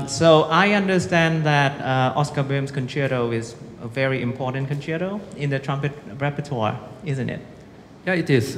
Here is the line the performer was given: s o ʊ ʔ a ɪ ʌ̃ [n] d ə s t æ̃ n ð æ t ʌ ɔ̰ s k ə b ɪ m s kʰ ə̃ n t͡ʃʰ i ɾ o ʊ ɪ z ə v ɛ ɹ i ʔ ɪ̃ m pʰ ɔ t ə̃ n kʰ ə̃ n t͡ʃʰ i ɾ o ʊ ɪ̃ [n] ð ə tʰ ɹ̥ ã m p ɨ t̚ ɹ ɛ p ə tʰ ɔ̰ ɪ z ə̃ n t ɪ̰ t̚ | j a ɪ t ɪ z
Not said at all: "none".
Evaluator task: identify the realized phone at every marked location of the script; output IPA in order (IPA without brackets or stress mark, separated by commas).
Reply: n, n